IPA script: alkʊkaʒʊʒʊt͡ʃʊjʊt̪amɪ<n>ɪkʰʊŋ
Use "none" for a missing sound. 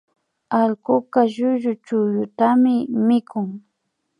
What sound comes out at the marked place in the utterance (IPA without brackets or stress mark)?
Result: m